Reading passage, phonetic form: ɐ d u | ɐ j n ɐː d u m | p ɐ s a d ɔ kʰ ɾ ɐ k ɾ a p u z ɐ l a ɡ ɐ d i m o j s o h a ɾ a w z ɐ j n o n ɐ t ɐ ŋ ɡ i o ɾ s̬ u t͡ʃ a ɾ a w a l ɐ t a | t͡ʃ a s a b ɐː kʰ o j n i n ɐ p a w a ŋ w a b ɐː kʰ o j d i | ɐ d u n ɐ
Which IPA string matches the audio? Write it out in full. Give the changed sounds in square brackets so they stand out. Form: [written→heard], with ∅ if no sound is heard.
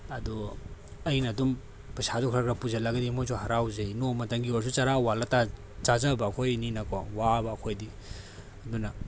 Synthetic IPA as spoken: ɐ d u | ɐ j n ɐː d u m | p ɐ s a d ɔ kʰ ɾ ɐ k ɾ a p u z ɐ l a ɡ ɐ d i m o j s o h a ɾ a w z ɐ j n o [n→m] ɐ t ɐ ŋ ɡ i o ɾ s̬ u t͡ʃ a ɾ a w a l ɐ t a | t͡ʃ a [s→z] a b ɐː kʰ o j n i n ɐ [p→k] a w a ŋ w a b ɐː kʰ o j d i | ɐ d u n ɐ